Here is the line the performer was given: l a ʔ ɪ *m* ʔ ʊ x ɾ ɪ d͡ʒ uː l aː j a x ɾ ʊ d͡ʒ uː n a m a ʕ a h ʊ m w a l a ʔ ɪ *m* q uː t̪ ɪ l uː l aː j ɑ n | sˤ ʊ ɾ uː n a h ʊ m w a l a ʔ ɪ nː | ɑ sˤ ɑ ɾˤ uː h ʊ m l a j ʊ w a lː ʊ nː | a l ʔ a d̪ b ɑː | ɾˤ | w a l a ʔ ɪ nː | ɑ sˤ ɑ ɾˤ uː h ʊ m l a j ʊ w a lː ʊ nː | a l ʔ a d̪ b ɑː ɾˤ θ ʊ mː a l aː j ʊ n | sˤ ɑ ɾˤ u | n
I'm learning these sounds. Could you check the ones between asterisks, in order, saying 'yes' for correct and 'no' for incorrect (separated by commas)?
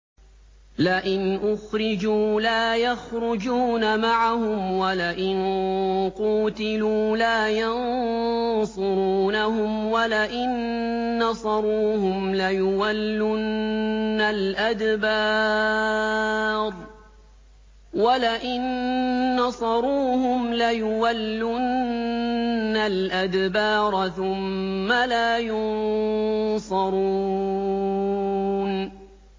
no, no